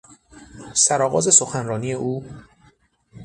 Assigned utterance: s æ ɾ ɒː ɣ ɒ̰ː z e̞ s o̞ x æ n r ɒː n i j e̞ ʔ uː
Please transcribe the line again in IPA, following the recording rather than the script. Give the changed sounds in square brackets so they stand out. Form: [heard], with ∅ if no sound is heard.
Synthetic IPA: s æ ɾ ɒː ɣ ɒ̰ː z e̞ s o̞ x æ n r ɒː n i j e̞ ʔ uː